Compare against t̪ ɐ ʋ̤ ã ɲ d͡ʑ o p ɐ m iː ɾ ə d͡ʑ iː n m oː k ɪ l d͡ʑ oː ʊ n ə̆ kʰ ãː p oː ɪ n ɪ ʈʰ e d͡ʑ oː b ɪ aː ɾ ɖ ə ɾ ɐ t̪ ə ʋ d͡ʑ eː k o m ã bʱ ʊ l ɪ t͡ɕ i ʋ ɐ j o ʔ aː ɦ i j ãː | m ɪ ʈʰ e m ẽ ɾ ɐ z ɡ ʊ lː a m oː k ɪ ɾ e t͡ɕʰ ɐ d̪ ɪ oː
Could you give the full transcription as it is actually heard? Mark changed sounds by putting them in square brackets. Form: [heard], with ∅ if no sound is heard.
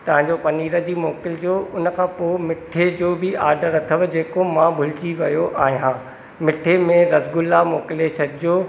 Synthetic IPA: t̪ ɐ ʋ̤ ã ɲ d͡ʑ o p ɐ [n] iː ɾ ə d͡ʑ iː [∅] m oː k ɪ l d͡ʑ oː ʊ n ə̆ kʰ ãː p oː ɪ [m] ɪ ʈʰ e d͡ʑ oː b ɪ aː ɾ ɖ ə ɾ ɐ [t̪ʰ] ə ʋ d͡ʑ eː k o m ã bʱ ʊ l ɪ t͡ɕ i ʋ ɐ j o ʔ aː ɦ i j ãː | m ɪ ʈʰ e m ẽ ɾ ɐ z ɡ ʊ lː a m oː k ɪ [l] e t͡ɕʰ ɐ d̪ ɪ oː

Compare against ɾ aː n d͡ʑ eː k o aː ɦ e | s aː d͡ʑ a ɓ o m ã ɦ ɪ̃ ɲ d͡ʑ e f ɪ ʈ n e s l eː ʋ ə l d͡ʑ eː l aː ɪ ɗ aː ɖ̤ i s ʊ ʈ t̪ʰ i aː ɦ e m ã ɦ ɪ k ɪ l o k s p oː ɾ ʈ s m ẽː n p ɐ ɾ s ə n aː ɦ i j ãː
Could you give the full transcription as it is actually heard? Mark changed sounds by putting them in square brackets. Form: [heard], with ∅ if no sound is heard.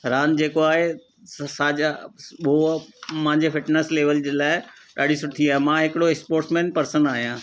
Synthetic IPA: ɾ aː n d͡ʑ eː k o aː ɦ e | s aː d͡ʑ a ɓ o m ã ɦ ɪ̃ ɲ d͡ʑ e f ɪ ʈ n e s l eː ʋ ə l d͡ʑ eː l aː ɪ ɗ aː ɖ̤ i s ʊ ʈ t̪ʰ i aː ɦ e m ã ɦ ɪ k ɪ [ɽ] o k s p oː ɾ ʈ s m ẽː n p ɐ ɾ s ə n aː ɦ i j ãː

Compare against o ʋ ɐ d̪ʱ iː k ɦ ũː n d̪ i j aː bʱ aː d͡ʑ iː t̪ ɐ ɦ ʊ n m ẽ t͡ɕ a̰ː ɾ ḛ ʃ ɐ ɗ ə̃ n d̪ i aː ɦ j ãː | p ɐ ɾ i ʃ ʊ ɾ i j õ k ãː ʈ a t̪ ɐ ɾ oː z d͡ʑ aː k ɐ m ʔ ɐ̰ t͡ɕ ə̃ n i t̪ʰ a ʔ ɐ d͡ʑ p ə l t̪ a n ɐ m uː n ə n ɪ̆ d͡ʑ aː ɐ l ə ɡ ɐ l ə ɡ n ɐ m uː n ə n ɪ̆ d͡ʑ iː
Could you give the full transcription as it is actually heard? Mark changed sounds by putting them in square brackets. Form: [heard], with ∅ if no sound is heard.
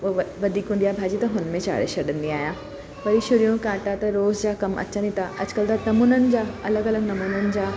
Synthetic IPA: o ʋ ɐ d̪ʱ iː k ɦ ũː n d̪ i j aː bʱ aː d͡ʑ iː t̪ ɐ ɦ ʊ n m ẽ t͡ɕ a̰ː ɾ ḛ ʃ ɐ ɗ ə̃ n d̪ i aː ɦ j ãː | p ɐ ɾ i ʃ ʊ ɾ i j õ k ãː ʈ a t̪ ɐ ɾ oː z d͡ʑ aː k ɐ m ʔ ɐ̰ t͡ɕ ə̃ n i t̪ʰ a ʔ ɐ d͡ʑ [k] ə l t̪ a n ɐ m uː n ə n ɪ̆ d͡ʑ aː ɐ l ə ɡ ɐ l ə ɡ n ɐ m uː n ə n ɪ̆ d͡ʑ [aː]

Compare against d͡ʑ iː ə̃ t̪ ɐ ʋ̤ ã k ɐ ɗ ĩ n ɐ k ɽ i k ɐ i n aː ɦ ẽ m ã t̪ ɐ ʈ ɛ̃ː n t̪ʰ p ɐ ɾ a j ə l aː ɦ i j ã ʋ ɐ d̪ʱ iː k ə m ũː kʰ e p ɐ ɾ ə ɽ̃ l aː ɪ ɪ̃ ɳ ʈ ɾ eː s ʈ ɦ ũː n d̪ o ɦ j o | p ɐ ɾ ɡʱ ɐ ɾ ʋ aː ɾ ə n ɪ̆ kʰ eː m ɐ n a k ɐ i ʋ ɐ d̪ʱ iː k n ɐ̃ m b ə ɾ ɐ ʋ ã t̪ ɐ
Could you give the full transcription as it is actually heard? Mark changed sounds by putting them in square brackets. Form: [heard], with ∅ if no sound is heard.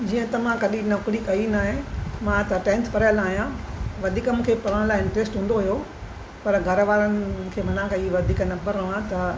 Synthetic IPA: d͡ʑ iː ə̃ t̪ ɐ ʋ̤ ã k ɐ ɗ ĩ n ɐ k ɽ i k ɐ i n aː ɦ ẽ m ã t̪ ɐ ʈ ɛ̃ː n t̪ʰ p ɐ ɾ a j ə l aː ɦ i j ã ʋ ɐ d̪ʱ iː k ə m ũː kʰ e p ɐ ɾ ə ɽ̃ l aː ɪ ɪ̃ ɳ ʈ ɾ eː s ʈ ɦ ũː n d̪ o ɦ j o | p ɐ ɾ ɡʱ ɐ ɾ ʋ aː ɾ ə n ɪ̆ kʰ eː m ɐ n a k ɐ i ʋ ɐ d̪ʱ iː k n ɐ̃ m b ə ɾ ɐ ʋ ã t̪ ɐ

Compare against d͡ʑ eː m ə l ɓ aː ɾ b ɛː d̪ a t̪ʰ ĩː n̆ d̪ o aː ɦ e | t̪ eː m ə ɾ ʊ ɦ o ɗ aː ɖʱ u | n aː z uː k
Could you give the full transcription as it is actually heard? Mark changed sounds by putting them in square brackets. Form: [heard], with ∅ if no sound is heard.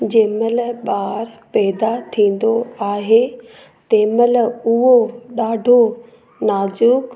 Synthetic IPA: d͡ʑ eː m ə l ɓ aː ɾ [p] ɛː d̪ a t̪ʰ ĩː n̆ d̪ o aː ɦ e | t̪ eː m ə [l] ʊ ɦ o ɗ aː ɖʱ [o] | n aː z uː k

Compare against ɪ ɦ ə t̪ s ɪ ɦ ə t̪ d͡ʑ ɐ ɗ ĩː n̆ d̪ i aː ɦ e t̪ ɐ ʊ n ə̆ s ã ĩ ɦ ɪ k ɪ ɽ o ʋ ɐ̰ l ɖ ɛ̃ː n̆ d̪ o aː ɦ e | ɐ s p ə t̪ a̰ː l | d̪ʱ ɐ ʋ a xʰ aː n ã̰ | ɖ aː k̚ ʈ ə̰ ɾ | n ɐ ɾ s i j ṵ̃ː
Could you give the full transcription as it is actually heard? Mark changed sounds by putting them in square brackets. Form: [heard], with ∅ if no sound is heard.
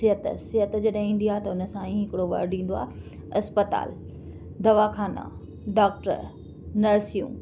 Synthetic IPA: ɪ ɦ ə t̪ s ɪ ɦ ə t̪ d͡ʑ ɐ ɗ ĩː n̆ d̪ i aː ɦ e t̪ ɐ ʊ n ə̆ s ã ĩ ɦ ɪ k ɪ ɽ o ʋ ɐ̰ [ɾ] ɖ [ĩː] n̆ d̪ o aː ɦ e | ɐ s p ə t̪ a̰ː l | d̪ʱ ɐ ʋ a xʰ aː n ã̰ | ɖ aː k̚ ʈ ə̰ ɾ | n ɐ ɾ s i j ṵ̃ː

